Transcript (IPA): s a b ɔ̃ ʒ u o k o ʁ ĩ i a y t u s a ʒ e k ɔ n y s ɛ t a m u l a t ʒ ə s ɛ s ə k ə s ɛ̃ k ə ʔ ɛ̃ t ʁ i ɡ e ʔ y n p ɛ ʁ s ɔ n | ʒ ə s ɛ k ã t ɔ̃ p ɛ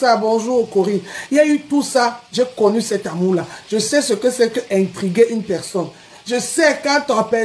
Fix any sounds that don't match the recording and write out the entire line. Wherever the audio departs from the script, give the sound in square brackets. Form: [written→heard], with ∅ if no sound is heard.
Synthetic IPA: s a b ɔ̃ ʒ u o k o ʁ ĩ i a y t u s a ʒ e k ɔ n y s ɛ t a m u l a [t→∅] ʒ ə s ɛ s ə k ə s [ɛ̃→ɛ] k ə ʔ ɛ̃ t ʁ i ɡ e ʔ y n p ɛ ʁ s ɔ n | ʒ ə s ɛ k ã t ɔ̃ p ɛ